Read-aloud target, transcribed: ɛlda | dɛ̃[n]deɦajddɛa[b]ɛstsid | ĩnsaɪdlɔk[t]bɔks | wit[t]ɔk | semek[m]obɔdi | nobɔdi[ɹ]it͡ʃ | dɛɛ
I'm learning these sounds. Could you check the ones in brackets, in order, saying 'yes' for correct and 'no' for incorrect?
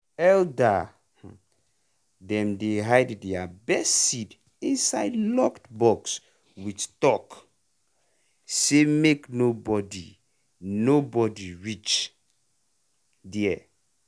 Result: no, yes, yes, yes, no, yes

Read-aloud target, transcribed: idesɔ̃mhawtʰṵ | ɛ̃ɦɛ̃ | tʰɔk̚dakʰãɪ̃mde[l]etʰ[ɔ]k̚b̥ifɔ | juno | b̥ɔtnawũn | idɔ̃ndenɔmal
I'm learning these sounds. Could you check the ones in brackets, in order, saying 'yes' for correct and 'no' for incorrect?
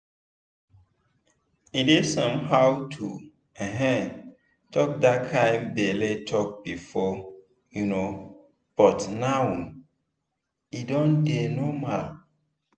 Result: yes, yes

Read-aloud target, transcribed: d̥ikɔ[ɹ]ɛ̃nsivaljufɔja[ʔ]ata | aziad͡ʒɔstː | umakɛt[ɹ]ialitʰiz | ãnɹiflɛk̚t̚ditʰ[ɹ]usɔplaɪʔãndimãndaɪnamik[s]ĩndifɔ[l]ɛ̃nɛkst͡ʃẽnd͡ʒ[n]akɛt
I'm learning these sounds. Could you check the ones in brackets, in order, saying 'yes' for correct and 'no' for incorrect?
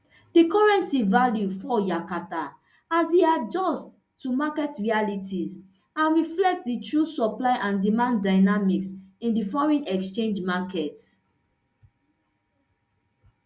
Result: yes, no, yes, yes, yes, no, no

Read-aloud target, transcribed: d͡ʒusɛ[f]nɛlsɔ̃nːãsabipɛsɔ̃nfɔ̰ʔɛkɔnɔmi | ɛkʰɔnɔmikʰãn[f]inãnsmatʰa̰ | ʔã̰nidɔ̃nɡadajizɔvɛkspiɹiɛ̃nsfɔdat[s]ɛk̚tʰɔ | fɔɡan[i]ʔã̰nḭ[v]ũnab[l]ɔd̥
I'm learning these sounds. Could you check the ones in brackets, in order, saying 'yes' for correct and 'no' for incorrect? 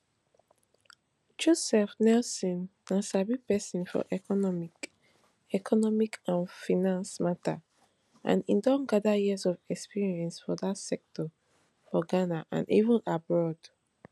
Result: yes, yes, yes, no, yes, no

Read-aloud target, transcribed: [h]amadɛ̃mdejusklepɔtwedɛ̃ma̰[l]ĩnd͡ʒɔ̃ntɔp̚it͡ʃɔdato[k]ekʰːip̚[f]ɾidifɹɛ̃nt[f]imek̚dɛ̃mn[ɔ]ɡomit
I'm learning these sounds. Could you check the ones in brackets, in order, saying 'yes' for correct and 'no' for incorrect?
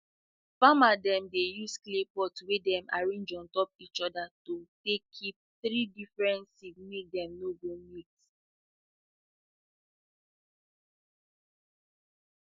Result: no, no, no, no, no, no

